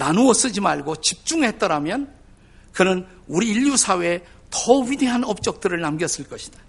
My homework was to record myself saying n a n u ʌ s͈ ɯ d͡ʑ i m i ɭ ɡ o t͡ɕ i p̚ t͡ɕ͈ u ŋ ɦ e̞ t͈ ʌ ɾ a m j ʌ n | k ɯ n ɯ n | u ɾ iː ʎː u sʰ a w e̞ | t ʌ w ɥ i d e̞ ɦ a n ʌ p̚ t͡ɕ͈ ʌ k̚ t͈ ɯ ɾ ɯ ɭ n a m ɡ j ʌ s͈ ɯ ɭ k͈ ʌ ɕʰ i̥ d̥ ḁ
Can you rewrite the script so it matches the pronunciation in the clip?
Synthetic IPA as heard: n a n u ʌ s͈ ɯ d͡ʑ i m a ɭ ɡ o t͡ɕ i p̚ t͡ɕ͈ u ŋ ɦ e̞ t͈ ʌ ɾ a m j ʌ n | k ɯ n ɯ n | u ɾ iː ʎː u sʰ a w e̞ | t ʌ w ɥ i d e̞ ɦ a n ʌ p̚ t͡ɕ͈ ʌ k̚ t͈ ɯ ɾ ɯ ɭ n a m ɡ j ʌ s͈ ɯ ɭ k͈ ʌ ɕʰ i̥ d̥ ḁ